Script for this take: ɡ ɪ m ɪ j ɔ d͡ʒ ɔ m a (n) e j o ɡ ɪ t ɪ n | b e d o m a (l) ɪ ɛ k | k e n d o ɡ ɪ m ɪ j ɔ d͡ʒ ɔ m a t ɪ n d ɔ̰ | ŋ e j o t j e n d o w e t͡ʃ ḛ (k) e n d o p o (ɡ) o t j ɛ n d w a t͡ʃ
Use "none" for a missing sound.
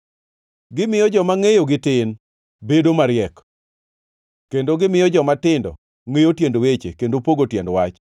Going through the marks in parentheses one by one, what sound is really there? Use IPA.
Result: ŋ, ɾ, k, ɡ

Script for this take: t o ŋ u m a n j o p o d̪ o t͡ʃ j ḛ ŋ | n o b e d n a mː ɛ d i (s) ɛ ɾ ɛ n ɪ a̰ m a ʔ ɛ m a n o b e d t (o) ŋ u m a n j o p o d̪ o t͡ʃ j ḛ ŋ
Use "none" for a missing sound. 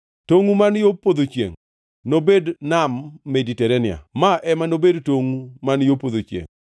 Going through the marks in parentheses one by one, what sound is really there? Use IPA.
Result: t, o

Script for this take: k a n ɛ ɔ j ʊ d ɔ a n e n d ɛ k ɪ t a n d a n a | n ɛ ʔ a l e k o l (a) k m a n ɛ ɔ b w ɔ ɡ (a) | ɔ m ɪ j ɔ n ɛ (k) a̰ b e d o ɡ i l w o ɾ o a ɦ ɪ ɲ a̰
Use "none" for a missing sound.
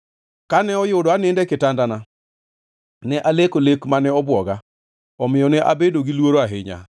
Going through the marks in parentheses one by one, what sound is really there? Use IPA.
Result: e, a, ʔ

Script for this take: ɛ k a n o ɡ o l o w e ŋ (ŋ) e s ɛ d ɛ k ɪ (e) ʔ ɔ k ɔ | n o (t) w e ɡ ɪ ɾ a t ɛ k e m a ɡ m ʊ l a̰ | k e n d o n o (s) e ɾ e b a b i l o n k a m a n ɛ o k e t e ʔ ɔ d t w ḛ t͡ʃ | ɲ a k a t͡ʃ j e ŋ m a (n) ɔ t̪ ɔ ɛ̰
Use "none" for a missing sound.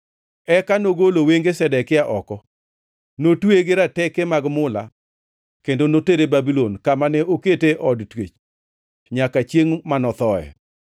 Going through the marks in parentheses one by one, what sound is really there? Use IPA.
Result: ɡ, a, t, t, n

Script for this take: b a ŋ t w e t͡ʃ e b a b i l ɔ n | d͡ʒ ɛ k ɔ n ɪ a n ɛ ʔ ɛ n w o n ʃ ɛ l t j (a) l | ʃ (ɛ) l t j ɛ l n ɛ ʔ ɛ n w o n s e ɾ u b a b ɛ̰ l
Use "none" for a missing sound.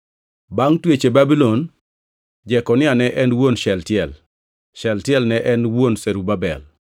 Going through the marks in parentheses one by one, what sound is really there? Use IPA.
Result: ɛ, ɛ

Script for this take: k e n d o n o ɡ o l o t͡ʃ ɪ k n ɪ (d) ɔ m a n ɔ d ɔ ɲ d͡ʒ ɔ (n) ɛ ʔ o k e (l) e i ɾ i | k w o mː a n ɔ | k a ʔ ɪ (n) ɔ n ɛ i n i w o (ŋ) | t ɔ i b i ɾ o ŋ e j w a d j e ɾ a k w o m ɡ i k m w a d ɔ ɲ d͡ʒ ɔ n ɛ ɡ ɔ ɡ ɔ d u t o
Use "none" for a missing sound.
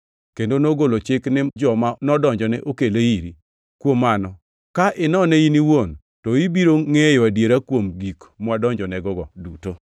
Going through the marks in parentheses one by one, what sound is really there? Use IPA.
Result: d͡ʒ, n, l, n, n

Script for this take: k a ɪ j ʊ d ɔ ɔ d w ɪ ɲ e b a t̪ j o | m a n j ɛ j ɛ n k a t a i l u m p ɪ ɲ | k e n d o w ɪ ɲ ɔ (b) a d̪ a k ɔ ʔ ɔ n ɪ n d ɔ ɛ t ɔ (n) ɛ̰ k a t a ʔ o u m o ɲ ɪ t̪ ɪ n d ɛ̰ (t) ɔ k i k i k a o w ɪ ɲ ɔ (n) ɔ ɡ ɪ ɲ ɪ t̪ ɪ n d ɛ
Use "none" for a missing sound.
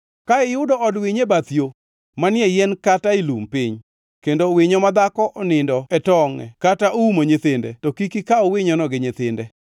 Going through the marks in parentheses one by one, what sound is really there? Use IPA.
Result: m, ŋ, t, n

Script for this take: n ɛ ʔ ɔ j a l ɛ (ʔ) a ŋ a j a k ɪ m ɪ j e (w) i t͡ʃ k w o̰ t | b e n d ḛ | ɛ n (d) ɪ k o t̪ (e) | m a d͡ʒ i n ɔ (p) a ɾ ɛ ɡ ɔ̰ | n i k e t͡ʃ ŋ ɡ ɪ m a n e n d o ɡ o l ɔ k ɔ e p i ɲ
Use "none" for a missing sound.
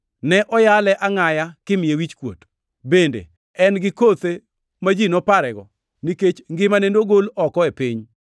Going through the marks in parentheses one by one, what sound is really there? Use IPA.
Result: ʔ, w, ɡ, e, p

